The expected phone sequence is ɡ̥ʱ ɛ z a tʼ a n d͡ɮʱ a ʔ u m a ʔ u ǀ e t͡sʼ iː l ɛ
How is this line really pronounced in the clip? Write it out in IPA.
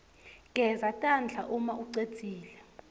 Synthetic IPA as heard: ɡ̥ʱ ɛ z a tʼ a n d͡ɮʱ a ʔ u m a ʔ u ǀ e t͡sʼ iː l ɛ